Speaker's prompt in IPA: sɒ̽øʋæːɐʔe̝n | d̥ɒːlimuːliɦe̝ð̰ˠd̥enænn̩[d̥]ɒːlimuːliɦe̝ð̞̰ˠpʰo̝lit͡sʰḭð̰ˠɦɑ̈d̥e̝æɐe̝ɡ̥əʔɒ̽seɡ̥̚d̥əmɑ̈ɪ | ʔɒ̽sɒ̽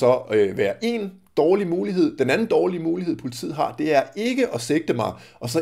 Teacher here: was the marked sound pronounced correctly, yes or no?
yes